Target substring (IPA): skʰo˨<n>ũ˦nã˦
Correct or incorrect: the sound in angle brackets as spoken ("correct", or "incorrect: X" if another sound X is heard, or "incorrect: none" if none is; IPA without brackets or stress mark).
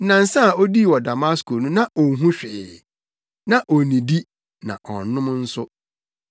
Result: correct